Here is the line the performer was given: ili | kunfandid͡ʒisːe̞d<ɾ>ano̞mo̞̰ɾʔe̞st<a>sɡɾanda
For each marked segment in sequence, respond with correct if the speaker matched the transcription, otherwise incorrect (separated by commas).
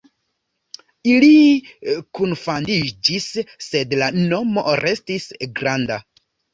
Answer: incorrect, incorrect